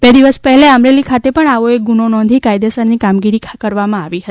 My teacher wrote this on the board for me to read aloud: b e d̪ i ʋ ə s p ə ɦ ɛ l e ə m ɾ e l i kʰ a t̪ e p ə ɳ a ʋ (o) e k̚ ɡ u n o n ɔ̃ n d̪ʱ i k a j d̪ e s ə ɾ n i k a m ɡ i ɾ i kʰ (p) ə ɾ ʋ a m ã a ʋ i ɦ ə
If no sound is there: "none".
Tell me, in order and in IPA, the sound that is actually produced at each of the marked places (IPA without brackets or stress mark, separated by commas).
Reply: o, k